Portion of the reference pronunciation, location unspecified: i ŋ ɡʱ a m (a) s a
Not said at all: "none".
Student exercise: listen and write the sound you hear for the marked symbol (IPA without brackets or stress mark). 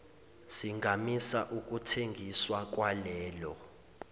i